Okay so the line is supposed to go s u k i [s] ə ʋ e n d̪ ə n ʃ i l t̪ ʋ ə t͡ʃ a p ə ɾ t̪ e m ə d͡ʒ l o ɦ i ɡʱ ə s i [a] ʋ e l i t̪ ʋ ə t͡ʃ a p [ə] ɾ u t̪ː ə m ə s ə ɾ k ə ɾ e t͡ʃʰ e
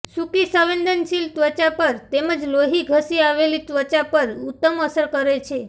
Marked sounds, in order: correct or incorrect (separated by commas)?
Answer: correct, correct, correct